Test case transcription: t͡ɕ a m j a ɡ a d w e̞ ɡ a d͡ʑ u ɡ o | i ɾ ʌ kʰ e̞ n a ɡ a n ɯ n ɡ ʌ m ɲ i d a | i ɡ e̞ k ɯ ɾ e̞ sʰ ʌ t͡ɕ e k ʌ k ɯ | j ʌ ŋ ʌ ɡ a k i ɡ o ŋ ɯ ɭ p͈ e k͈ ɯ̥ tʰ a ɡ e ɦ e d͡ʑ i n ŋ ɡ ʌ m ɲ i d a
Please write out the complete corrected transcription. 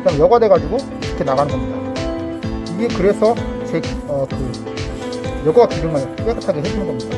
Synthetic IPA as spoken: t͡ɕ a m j ʌ ɡ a d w e̞ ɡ a d͡ʑ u ɡ o | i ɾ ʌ kʰ e̞ n a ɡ a n ɯ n ɡ ʌ m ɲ i d a | i ɡ e̞ k ɯ ɾ e̞ sʰ ʌ t͡ɕ e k ʌ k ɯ | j ʌ ɡ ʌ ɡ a k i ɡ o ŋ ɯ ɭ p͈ e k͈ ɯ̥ tʰ a ɡ e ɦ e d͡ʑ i n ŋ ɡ ʌ m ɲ i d a